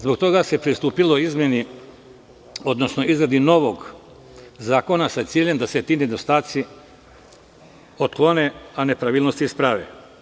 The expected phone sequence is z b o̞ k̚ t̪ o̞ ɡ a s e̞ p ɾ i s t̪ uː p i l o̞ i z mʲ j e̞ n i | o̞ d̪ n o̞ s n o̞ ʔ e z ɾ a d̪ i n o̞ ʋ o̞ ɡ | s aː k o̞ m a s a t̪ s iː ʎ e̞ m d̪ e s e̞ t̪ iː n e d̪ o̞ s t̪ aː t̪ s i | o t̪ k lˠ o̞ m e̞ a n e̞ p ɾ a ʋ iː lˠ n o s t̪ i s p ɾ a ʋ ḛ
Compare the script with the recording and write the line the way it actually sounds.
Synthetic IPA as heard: z b o̞ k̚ t̪ o̞ ɡ a s e̞ p ɾ i s t̪ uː p i l o̞ i z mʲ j e̞ n i | o̞ d̪ n o̞ s n o̞ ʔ i z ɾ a d̪ i n o̞ ʋ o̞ ɡ | z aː k o̞ n a s a t̪ s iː ʎ e̞ m d̪ a s e̞ t̪ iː n e d̪ o̞ s t̪ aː t̪ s i | o t̪ k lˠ o̞ n e̞ a n e̞ p ɾ a ʋ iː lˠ n o s t̪ i s p ɾ a ʋ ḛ

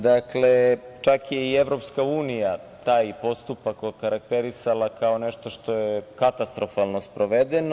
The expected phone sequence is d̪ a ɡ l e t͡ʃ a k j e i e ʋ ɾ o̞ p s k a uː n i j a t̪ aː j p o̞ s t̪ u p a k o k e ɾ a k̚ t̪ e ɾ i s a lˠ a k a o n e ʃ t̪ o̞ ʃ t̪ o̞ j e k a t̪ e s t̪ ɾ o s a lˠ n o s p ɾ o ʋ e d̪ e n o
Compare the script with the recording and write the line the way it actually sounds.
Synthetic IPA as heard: d̪ a k l e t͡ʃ a k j e i e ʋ ɾ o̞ p s k a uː n i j a t̪ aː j p o̞ s t̪ u p a k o k a ɾ a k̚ t̪ e ɾ i s a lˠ a k a o n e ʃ t̪ o̞ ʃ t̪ o̞ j e k a t̪ a s t̪ ɾ o f a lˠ n o s p ɾ o ʋ e d̪ e n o

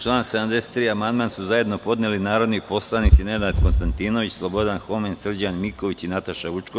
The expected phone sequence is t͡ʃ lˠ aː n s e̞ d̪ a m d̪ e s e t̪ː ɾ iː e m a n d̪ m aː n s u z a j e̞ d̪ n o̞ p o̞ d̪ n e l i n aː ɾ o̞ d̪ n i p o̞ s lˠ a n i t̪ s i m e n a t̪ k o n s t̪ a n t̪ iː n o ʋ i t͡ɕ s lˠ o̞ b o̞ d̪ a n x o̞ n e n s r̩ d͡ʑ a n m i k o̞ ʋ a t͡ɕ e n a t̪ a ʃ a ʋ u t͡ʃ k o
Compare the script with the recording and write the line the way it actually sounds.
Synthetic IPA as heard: t͡ʃ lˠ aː n s e̞ d̪ a m d̪ e s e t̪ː ɾ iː a m a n d̪ m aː n s u z a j e̞ d̪ n o̞ p o̞ d̪ n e l i n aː ɾ o̞ d̪ n i p o̞ s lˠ a n i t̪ s i n e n a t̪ k o n s t̪ a n t̪ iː n o ʋ i t͡ɕ s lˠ o̞ b o̞ d̪ a n x o̞ m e n s r̩ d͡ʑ a n m i k o̞ ʋ i t͡ɕ i n a t̪ a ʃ a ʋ u t͡ʃ k o

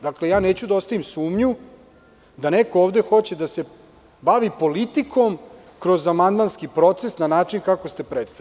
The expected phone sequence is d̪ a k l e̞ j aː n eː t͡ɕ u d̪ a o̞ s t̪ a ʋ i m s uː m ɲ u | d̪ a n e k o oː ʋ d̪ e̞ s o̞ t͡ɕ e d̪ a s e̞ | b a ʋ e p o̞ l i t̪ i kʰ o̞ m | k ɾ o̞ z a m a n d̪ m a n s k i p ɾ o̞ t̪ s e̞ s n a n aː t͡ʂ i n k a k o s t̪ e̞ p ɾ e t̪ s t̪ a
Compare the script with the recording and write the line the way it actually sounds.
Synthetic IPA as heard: d̪ a k l e̞ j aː n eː t͡ɕ u d̪ a o̞ s t̪ a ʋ i m s uː m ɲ u | d̪ a n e k o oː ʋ d̪ e̞ x o̞ t͡ɕ e d̪ a s e̞ | b a ʋ i p o̞ l i t̪ i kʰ o̞ m | k ɾ o̞ z a m a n d̪ m a n s k i p ɾ o̞ t̪ s e̞ s n a n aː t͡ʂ i n k a k o s t̪ e̞ p ɾ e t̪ s t̪ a

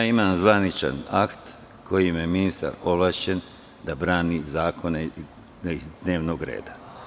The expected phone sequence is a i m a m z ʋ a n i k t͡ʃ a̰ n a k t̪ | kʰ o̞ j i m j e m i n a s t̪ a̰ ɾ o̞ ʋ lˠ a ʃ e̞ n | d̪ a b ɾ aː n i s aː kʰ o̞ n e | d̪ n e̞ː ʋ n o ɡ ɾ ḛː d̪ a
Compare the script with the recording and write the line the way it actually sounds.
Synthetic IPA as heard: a i m a m z ʋ a n i t͡ʃ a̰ n a k t̪ | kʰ o̞ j i m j e m i n i s t̪ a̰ ɾ o̞ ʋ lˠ a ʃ e̞ n | d̪ a b ɾ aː n i z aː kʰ o̞ n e | d̪ n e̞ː ʋ n o ɡ ɾ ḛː d̪ a

